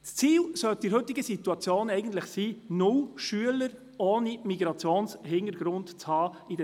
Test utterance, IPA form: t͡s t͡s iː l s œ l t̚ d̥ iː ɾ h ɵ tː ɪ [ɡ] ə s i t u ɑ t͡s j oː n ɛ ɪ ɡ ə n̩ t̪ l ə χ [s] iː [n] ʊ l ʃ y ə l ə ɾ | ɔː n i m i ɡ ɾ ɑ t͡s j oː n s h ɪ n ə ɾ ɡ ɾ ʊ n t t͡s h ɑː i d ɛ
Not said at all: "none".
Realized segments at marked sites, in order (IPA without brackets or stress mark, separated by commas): ɡ, s, n